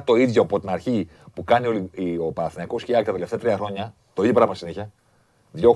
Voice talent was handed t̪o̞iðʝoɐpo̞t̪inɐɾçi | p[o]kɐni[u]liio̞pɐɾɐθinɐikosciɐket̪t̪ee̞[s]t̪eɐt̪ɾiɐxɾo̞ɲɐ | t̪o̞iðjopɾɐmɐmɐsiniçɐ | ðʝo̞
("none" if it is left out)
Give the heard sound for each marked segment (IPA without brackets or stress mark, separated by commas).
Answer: u, o, f